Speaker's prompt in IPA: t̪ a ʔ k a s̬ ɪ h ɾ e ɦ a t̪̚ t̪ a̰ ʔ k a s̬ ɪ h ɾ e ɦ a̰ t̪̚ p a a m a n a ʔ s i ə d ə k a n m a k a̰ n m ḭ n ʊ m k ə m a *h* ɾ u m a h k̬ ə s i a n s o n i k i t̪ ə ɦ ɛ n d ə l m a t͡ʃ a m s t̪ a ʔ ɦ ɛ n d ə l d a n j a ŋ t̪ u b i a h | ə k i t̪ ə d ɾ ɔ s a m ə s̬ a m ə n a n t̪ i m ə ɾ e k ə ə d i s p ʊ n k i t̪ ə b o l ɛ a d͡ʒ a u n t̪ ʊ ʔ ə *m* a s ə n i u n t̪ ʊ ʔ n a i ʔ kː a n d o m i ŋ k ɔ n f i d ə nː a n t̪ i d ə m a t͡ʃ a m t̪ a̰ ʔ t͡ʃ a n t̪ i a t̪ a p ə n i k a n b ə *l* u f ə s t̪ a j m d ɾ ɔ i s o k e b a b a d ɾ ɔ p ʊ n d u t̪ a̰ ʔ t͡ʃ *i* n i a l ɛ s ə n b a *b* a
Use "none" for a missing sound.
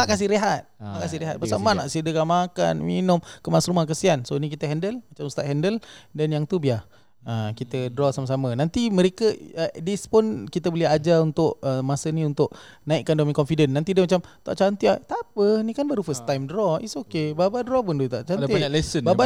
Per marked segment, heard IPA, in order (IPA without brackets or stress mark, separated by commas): s, m, ɾ, a, b